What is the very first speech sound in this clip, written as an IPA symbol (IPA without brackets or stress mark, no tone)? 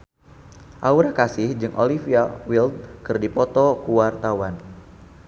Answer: ʔ